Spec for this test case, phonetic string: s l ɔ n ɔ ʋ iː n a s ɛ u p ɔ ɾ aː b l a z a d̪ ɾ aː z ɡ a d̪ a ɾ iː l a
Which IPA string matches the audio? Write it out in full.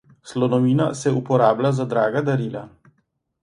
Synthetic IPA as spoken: s l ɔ n ɔ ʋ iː n a s ɛ u p ɔ ɾ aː b l a z a d̪ ɾ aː ɡ a d̪ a ɾ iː l a